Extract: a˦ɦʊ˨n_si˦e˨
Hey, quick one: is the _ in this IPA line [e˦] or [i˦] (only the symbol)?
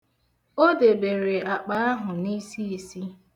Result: i˦